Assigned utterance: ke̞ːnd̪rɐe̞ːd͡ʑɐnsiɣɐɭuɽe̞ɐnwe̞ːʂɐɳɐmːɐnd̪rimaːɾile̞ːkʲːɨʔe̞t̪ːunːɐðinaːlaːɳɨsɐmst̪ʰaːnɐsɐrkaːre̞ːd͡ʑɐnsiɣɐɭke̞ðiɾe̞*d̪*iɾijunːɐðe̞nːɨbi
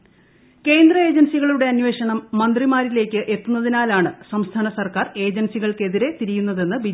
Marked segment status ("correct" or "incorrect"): incorrect